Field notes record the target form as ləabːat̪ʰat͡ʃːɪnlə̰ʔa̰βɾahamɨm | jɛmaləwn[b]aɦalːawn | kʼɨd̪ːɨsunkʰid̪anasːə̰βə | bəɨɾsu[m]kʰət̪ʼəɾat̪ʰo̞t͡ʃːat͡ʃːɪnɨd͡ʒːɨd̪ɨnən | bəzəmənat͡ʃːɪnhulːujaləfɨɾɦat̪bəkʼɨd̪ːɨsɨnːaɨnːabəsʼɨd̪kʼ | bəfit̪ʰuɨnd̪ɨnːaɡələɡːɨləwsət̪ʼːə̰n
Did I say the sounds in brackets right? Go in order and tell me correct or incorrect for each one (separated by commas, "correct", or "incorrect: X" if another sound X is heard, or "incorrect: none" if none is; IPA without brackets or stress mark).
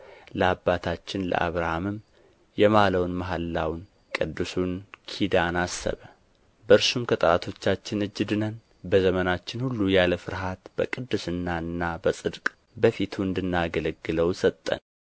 incorrect: m, correct